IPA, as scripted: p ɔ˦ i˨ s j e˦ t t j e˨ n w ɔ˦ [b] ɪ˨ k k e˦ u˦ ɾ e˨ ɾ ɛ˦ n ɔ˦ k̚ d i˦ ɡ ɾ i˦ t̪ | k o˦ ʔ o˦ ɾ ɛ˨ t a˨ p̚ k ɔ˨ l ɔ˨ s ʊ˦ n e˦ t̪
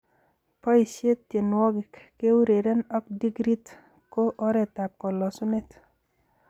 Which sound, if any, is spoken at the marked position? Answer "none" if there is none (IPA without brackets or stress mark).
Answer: ɡ